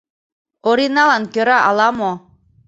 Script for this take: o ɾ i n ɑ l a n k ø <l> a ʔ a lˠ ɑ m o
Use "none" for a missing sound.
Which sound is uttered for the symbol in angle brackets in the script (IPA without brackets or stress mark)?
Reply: ɾ